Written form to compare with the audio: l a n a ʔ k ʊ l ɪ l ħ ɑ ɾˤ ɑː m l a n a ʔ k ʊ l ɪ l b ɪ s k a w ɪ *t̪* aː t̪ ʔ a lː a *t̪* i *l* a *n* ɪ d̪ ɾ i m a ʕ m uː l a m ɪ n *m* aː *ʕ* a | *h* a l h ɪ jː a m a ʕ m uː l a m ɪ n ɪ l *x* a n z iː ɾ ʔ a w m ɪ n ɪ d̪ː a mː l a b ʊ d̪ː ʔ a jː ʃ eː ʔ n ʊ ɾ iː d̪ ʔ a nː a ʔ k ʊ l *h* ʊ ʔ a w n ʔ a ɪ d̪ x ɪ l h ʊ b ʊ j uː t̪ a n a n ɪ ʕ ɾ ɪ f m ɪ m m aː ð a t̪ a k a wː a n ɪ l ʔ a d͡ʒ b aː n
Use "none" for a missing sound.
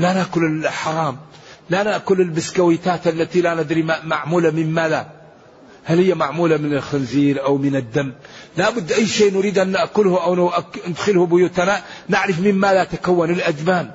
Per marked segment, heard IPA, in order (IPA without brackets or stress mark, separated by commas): t̪, t̪, l, n, m, ð, h, x, h